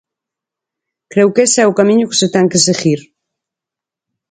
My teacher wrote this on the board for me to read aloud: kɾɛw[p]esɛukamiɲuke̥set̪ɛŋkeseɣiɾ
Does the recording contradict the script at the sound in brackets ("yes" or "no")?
yes